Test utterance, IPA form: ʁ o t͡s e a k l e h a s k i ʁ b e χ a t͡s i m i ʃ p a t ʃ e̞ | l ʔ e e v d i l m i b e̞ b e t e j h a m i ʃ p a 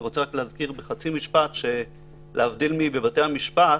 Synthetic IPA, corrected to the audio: ʁ o t͡s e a k l e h a z k i ʁ b e χ a t͡s i m i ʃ p a t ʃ e̞ | l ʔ e a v d i l m i b e̞ b a t e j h a m i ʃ p a